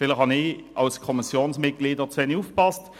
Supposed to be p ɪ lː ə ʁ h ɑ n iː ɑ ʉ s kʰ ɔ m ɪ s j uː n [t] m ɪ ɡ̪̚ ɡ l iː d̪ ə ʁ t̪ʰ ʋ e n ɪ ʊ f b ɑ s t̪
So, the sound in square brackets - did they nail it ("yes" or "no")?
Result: no